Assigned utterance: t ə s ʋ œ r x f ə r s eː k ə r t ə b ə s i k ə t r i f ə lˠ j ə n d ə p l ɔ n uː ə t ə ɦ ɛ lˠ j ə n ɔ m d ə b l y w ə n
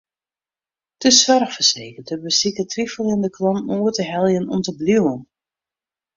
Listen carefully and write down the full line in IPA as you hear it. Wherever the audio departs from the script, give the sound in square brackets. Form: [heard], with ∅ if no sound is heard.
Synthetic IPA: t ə s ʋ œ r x f ə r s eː k ə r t ə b ə s i k ə t r i f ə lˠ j ə n d ə [k] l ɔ n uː ə t ə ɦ ɛ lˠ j ə n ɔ m [t] ə b l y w ə n